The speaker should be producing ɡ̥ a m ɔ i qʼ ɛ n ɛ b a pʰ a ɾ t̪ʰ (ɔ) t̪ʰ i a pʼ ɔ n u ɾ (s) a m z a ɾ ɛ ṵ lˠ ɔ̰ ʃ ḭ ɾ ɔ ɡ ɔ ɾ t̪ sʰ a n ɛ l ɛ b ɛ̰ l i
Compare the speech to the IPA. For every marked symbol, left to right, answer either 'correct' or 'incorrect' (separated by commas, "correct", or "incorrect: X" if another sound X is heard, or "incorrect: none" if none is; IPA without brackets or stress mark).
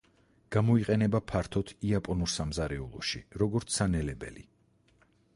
correct, correct